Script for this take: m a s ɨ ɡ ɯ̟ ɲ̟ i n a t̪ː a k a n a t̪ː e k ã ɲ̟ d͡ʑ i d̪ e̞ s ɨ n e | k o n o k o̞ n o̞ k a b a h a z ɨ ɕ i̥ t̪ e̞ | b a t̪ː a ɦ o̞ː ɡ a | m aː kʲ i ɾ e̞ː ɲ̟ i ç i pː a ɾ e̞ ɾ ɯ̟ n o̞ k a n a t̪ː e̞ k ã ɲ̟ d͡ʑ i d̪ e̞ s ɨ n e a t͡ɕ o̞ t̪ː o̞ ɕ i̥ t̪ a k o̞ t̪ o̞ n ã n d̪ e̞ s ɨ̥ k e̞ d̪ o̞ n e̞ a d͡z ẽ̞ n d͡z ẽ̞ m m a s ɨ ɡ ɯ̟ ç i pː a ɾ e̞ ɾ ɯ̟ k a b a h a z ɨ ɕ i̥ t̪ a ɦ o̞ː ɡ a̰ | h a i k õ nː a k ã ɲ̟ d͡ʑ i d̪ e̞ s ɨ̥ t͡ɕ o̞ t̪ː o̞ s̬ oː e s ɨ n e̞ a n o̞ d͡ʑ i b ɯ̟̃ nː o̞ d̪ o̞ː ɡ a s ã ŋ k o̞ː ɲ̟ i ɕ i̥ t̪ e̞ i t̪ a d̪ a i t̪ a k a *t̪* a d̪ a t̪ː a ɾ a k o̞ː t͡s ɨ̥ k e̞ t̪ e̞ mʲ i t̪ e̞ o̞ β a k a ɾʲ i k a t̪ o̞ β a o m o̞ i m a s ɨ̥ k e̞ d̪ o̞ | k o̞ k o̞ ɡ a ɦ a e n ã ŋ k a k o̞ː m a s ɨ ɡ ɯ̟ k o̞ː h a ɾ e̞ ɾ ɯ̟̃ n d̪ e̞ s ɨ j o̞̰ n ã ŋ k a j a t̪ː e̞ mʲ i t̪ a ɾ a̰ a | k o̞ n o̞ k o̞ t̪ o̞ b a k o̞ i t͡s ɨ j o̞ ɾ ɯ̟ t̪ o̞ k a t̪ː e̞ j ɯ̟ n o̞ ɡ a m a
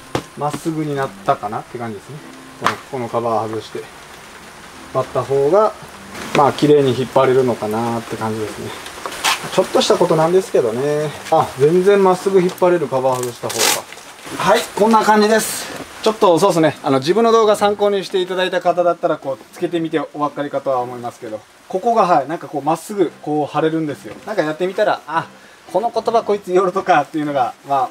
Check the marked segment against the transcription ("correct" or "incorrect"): correct